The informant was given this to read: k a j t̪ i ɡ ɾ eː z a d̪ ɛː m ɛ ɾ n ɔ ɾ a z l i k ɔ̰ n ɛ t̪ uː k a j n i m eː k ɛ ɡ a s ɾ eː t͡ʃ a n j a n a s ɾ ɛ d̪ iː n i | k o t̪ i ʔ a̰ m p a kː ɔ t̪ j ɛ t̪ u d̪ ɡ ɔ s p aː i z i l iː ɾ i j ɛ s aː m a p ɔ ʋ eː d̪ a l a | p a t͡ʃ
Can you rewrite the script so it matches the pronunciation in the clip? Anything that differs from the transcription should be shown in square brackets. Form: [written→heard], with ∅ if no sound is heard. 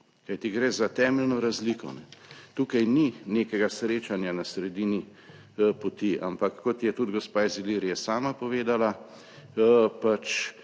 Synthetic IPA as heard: k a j t̪ i ɡ ɾ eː z a [d̪→t̪] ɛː m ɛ [ɾ→l] n ɔ ɾ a z l i k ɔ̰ n ɛ t̪ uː k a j n i [m→n] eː k ɛ ɡ a s ɾ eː t͡ʃ a n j a n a s ɾ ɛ d̪ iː n i | [k→p] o t̪ i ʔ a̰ m p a kː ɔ t̪ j ɛ t̪ u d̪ ɡ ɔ s p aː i z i l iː ɾ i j ɛ s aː m a p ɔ ʋ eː d̪ a l a | p a t͡ʃ